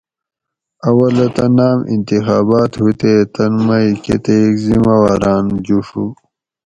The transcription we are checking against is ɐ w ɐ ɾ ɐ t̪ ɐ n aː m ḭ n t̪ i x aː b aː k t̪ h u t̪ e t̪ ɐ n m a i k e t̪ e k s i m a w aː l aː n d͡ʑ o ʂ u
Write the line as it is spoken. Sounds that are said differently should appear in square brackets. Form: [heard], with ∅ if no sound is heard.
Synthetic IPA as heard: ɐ w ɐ [l] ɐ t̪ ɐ n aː m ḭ n t̪ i x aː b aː [∅] t̪ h u t̪ e t̪ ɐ n m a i k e t̪ e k [z] i m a w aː [ɾ] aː n d͡ʑ [u] ʂ u